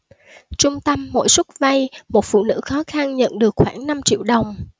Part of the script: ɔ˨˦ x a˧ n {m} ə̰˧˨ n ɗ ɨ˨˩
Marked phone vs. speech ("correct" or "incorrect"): incorrect